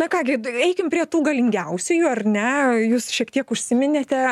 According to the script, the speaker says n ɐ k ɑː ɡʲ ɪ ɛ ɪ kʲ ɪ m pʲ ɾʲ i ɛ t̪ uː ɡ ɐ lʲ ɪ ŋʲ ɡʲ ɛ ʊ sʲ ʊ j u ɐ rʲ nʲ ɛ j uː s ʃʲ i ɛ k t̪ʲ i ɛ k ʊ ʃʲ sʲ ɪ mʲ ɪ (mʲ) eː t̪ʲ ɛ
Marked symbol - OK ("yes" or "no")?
no